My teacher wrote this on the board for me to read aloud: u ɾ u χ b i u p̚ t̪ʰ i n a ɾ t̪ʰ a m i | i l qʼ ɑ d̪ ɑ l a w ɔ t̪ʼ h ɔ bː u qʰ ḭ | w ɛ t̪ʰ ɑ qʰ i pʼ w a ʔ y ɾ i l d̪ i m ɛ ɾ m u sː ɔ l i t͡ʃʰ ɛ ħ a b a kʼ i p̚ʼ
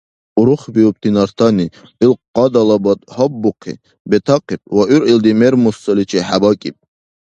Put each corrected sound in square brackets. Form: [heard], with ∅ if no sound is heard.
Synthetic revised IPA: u ɾ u χ b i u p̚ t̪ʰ i n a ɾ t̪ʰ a [n] i | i l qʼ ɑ d̪ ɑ l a [b] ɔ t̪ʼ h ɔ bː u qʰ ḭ | [b] ɛ t̪ʰ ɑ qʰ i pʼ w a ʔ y ɾ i l d̪ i m ɛ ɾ m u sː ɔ l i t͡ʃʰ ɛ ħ a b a kʼ i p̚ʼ